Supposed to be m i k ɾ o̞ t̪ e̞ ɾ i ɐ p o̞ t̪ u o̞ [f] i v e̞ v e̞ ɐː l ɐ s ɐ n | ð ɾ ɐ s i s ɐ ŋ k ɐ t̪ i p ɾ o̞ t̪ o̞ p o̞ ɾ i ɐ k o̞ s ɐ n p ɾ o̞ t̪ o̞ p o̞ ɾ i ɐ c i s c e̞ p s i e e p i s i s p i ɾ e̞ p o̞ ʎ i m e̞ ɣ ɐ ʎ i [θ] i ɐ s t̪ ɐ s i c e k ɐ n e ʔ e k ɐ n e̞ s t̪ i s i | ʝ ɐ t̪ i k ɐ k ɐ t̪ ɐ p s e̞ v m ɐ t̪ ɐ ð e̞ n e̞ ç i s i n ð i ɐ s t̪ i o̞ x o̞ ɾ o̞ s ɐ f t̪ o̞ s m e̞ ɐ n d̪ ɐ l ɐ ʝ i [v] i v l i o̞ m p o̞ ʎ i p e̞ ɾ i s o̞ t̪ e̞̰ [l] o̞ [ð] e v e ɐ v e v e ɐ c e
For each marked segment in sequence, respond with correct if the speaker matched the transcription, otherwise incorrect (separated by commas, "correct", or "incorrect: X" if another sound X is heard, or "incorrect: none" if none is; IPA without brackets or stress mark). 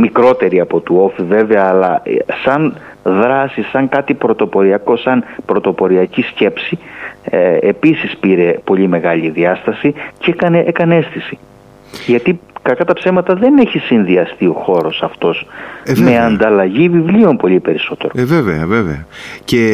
correct, incorrect: ð, correct, incorrect: ɾ, incorrect: v